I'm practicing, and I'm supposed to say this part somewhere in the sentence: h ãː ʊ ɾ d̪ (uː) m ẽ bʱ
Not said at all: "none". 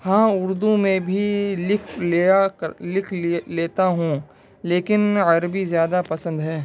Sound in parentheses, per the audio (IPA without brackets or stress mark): u